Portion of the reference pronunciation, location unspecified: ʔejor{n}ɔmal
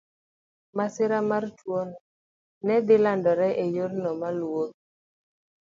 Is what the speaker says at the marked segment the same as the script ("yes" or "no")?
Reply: yes